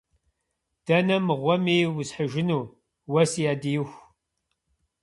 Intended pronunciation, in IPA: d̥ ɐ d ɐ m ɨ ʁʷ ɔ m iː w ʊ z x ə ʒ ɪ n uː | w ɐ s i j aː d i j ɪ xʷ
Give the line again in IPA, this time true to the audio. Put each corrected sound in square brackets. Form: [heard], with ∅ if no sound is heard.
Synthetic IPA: d̥ ɐ [n] ɐ m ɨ ʁʷ ɔ m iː w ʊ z [ħ] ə ʒ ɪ n uː | w ɐ s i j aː d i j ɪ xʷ